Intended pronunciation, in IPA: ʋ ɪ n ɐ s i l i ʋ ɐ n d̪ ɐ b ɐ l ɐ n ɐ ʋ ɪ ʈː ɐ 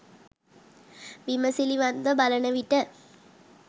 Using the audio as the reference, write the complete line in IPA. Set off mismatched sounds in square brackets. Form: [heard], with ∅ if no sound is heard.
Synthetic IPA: ʋ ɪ [m] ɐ s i l i ʋ ɐ n d̪ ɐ b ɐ l ɐ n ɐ ʋ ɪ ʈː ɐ